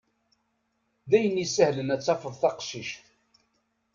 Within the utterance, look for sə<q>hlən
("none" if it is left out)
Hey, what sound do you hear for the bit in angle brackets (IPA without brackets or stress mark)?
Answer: none